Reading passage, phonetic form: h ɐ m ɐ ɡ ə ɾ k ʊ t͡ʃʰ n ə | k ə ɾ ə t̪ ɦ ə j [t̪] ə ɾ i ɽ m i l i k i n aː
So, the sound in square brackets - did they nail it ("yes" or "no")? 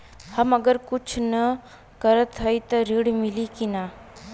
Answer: yes